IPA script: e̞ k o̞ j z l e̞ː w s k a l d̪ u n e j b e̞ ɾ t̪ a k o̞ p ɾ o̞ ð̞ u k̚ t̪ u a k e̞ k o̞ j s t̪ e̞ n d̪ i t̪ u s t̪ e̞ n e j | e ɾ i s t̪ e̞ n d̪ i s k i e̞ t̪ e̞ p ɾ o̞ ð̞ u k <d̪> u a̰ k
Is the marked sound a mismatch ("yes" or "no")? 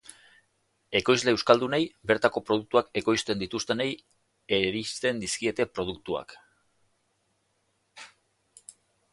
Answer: yes